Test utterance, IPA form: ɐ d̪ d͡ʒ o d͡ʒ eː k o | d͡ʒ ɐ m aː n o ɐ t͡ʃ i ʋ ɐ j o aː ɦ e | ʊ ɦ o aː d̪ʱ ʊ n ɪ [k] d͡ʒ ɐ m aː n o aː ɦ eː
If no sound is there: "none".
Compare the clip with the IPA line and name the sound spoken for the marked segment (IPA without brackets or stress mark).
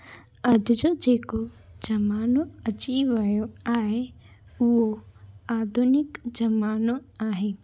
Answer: k